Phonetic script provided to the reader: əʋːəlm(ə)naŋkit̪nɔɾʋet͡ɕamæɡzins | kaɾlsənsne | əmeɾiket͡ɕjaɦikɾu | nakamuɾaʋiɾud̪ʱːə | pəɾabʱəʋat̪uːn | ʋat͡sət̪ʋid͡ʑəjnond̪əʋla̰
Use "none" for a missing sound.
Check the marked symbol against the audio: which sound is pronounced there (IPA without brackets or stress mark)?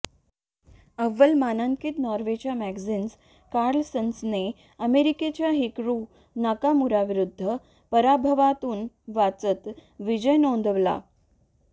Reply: a